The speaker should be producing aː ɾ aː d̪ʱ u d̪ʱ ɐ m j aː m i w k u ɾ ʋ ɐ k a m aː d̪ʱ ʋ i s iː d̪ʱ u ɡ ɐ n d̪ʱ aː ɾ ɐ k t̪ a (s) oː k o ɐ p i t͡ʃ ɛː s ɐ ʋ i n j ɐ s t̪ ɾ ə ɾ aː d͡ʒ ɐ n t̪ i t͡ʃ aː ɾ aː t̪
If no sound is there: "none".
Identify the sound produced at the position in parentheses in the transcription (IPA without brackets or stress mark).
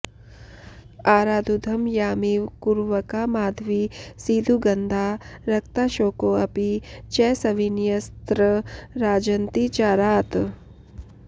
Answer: ʃ